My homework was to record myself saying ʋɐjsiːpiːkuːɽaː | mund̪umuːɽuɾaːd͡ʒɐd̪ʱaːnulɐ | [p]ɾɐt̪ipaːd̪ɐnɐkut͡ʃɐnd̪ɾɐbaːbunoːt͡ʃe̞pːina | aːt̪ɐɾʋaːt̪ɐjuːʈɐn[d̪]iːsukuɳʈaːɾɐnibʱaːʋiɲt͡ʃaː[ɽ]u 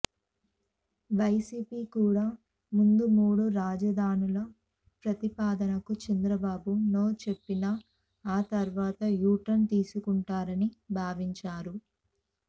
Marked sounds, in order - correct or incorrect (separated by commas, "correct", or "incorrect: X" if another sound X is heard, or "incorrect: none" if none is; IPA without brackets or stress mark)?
correct, incorrect: t̪, incorrect: ɾ